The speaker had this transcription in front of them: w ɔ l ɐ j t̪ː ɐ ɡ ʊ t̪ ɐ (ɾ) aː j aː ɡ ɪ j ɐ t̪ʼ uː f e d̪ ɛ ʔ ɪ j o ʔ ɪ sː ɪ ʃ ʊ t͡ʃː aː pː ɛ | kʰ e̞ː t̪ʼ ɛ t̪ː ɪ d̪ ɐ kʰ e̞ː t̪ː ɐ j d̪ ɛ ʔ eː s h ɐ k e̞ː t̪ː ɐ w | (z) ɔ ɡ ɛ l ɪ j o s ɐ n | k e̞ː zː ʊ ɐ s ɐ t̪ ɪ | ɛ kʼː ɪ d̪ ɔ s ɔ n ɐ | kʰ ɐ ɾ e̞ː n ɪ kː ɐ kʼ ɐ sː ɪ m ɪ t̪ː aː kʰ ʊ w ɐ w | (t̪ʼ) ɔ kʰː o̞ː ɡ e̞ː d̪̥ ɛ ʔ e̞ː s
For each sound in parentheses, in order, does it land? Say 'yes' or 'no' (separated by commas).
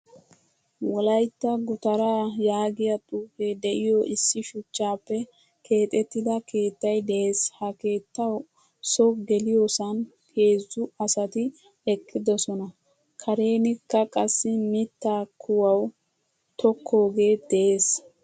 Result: yes, no, no